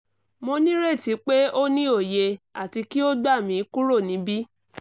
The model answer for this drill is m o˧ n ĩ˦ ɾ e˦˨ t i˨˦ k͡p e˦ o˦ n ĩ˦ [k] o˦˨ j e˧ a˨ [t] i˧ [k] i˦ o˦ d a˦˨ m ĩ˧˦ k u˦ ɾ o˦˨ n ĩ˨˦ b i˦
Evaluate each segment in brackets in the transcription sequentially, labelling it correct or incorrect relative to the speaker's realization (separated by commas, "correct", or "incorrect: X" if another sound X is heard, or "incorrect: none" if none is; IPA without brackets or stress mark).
incorrect: none, correct, correct